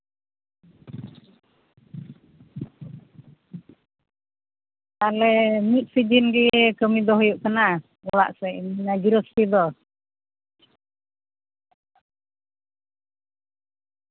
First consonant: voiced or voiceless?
voiced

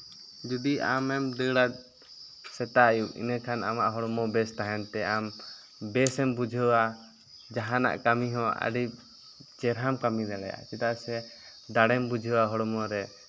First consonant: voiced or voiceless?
voiced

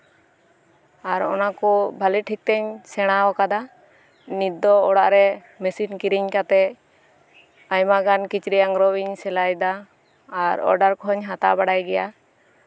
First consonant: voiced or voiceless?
voiced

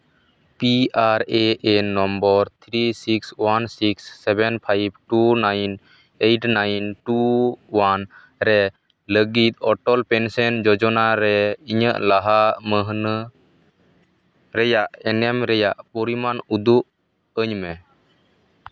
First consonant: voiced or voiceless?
voiceless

